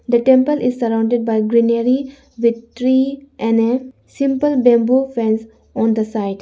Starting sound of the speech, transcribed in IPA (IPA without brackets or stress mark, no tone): d̪